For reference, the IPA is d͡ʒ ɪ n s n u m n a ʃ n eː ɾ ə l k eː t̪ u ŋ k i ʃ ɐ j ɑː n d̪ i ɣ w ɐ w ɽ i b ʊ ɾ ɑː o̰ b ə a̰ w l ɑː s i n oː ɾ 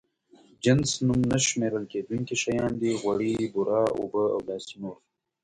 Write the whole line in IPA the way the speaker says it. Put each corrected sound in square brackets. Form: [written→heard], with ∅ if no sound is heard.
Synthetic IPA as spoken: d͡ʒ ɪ n s n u m n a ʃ [n→m] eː ɾ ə l k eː [t̪→d̪] u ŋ k i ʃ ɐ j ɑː n d̪ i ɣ w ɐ [w→∅] ɽ i b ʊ ɾ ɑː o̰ b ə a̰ w l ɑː s i n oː ɾ